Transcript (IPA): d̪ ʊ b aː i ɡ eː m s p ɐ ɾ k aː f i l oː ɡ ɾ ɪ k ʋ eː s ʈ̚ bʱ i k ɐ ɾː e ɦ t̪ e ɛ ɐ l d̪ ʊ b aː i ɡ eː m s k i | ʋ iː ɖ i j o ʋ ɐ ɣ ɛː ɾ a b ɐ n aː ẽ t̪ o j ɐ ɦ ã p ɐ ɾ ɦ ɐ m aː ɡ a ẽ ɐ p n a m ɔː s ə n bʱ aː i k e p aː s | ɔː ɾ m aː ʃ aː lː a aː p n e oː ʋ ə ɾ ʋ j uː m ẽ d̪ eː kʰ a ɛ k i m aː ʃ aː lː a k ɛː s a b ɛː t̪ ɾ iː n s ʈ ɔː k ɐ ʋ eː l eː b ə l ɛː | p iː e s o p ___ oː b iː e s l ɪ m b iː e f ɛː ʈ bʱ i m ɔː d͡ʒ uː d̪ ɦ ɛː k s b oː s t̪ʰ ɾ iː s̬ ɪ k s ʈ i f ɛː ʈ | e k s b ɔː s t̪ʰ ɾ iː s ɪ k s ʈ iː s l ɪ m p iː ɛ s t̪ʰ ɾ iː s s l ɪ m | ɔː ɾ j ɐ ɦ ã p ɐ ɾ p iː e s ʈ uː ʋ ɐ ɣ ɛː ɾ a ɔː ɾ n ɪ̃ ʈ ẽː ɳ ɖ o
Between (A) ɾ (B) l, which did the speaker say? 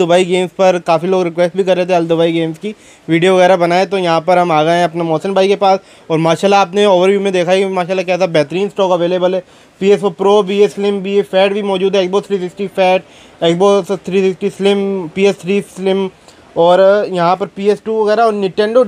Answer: A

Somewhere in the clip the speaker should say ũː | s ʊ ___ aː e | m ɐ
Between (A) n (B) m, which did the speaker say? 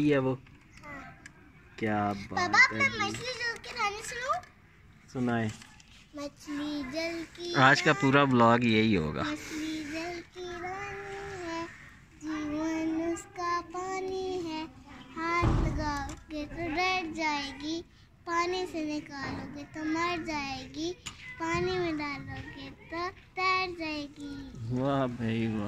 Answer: A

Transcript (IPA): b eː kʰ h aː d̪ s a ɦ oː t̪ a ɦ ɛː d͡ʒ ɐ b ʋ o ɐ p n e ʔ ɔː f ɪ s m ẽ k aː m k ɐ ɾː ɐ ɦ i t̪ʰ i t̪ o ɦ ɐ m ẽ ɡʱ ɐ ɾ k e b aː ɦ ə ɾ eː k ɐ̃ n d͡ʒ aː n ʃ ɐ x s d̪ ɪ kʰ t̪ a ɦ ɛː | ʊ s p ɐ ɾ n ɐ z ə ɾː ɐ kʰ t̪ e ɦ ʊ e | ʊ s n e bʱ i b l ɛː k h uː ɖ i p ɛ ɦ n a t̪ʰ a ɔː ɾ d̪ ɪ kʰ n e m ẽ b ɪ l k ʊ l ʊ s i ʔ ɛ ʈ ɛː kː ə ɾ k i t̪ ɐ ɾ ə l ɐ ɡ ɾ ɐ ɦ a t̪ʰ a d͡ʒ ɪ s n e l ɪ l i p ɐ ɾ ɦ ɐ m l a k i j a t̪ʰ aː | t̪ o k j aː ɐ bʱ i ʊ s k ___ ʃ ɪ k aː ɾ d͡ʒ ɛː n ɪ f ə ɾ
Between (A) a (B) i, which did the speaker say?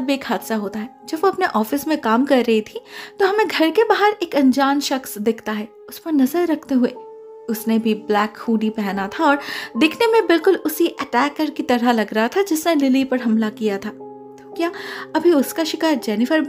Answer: A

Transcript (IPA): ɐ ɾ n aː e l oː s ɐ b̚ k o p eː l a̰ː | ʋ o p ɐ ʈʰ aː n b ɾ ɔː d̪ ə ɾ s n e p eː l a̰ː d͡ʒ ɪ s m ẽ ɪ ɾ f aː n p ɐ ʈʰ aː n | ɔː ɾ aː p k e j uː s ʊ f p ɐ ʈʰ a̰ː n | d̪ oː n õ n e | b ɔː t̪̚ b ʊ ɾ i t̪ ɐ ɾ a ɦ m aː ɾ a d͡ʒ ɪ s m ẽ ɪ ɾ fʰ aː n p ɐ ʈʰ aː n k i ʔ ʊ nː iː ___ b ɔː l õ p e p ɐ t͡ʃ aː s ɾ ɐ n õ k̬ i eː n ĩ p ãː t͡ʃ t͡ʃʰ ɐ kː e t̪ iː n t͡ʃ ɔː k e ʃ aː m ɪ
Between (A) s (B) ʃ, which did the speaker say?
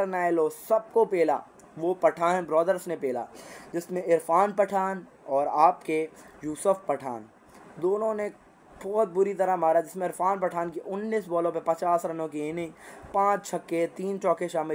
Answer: A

